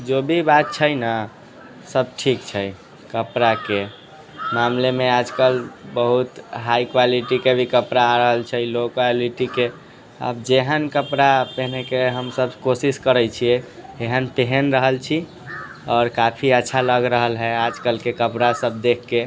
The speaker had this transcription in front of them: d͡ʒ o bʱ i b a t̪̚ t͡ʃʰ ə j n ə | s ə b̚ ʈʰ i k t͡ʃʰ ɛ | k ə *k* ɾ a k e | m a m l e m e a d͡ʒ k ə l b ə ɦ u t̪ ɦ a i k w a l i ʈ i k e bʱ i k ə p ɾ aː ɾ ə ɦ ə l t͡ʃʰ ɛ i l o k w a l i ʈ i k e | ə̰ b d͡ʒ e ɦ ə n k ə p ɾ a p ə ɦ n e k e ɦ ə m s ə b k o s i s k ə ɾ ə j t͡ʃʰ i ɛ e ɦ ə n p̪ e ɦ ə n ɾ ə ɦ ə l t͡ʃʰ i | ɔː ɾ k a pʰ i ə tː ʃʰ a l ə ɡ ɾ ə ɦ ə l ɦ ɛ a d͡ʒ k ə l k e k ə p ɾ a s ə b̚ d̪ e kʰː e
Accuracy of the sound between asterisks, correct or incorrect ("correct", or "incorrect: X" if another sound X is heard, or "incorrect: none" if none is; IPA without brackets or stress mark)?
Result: incorrect: p